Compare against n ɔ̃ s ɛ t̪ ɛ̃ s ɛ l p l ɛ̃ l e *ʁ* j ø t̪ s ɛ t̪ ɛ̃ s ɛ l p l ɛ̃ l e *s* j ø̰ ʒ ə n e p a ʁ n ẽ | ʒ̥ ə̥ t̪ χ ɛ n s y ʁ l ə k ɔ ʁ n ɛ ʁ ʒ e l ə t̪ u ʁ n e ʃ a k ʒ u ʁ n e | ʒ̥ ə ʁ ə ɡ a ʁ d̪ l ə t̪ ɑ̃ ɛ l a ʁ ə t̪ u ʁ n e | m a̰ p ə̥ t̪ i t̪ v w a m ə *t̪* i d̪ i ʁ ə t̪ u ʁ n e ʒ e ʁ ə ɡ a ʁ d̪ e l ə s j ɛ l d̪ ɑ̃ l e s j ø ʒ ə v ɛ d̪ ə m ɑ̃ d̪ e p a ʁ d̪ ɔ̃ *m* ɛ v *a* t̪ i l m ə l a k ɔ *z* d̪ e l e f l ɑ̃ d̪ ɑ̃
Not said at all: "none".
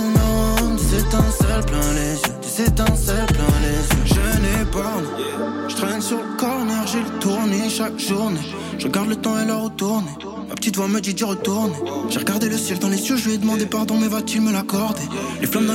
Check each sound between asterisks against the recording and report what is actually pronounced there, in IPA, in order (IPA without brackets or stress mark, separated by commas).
z, z, d̪, m, a, ʁ